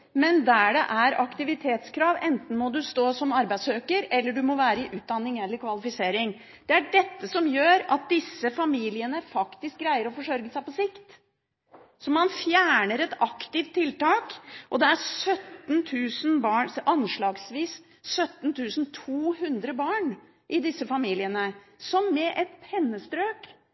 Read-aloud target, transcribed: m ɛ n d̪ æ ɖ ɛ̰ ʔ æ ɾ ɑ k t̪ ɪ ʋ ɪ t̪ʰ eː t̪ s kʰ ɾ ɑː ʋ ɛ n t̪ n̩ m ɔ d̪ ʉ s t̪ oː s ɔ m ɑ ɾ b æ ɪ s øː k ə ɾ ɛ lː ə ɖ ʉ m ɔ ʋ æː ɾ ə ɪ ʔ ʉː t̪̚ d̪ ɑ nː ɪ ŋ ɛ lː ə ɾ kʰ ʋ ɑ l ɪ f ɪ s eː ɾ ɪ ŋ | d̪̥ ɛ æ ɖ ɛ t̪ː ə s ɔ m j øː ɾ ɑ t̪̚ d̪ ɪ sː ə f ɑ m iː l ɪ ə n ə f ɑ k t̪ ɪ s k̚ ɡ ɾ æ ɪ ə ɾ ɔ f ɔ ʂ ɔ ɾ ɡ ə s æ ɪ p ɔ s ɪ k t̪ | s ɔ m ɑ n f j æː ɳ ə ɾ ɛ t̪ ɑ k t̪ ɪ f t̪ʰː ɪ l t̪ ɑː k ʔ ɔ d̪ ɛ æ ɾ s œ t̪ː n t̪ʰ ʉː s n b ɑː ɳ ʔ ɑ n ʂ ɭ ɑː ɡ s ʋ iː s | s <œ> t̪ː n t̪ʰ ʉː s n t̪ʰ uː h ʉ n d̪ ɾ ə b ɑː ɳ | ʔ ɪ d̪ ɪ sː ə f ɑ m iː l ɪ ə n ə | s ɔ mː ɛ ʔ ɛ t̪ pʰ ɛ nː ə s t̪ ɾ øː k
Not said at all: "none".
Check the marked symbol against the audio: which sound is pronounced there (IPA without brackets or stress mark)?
œ